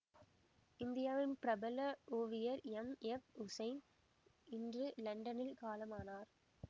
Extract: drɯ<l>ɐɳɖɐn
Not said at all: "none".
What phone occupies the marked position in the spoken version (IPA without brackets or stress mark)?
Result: l